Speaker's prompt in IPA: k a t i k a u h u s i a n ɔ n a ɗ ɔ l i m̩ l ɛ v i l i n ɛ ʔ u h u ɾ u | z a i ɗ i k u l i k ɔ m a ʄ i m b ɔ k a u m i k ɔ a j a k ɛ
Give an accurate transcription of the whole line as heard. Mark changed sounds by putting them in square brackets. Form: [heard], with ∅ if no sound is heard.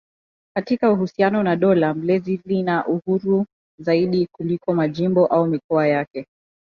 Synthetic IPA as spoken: k a t i k a u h u s i a n ɔ n a ɗ ɔ l [a] m̩ l ɛ [z] i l i n [a] ʔ u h u ɾ u | z a i ɗ i k u l i k ɔ m a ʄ i m b ɔ [ʔ] a u m i k ɔ a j a k ɛ

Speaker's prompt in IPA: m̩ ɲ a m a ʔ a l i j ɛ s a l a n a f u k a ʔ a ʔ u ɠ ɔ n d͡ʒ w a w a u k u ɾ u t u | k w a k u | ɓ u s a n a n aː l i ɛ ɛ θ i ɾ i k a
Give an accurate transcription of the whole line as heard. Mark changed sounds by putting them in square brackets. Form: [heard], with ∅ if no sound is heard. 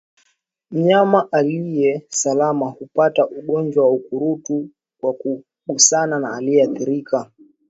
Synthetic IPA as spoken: m̩ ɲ a m a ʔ a l i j ɛ s a l a [m] a [h] u [p] a [t] a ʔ u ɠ ɔ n d͡ʒ w a w a u k u ɾ u t u | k w a k u | ɓ u s a n a n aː l i ɛ [a] θ i ɾ i k a

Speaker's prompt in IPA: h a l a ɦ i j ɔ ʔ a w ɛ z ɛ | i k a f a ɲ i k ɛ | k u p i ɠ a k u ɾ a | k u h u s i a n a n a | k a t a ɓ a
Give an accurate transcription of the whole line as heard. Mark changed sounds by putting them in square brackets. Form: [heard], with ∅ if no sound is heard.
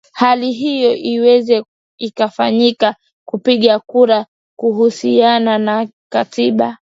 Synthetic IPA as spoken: h a l [i] ɦ i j ɔ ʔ [i] w ɛ z ɛ | i k a f a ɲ i k [a] | k u p i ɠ a k u ɾ a | k u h u s i a n a n a | k a t [i] ɓ a

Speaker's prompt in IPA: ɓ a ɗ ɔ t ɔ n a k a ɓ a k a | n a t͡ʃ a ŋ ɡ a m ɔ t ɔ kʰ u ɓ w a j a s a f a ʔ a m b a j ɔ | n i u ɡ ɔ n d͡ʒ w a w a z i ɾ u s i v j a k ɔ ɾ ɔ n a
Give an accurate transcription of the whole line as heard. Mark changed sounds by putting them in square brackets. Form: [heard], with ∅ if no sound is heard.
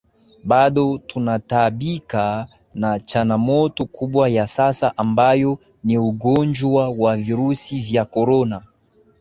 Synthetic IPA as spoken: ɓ a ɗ ɔ t [u] n a [t] a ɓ [i] k a | n a t͡ʃ a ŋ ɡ a m ɔ t ɔ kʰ u ɓ w a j a s a [s] a ʔ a m b a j ɔ | n i u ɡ ɔ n d͡ʒ w a w a [v] i ɾ u s i v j a k ɔ ɾ ɔ n a

